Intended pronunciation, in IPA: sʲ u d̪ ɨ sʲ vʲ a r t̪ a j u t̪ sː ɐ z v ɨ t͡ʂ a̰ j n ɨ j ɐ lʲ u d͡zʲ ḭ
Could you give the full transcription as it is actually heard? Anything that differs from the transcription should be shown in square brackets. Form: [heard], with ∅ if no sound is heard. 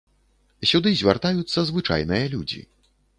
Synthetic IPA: sʲ u d̪ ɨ [zʲ] vʲ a r t̪ a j u t̪ sː ɐ z v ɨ t͡ʂ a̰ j n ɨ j ɐ lʲ u d͡zʲ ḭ